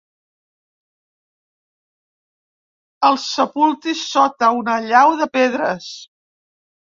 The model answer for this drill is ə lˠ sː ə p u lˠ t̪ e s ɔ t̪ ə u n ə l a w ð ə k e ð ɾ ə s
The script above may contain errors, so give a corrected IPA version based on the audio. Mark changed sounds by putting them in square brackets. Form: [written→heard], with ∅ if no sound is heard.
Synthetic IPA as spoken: ə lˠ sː ə p u lˠ t̪ [e→i] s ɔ t̪ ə u n ə [l→ʎ] a w ð ə [k→p] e ð ɾ ə s